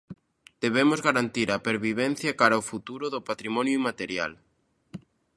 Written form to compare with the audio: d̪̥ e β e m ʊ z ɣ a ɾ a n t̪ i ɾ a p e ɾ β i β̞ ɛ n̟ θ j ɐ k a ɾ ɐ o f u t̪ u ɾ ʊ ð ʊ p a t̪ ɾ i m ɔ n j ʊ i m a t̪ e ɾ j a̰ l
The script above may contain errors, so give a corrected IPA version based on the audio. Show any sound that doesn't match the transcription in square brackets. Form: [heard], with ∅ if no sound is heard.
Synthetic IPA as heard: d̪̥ e β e m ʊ z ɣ a ɾ a n t̪ i ɾ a p e ɾ β i β̞ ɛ n̟ θ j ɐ k a ɾ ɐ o f u t̪ u ɾ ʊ ð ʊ p a t̪ ɾ i m ɔ n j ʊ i m a t̪ e ɾ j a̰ l